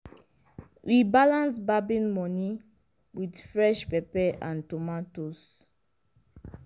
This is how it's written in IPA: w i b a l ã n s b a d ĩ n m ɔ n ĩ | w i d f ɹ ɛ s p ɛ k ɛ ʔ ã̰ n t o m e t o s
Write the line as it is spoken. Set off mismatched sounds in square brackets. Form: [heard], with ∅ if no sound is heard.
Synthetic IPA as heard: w i b a l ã n s b a [b] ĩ n m ɔ n [i] | w i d f ɹ ɛ [ʃ] p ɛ [p] ɛ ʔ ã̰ n t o m [a] t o s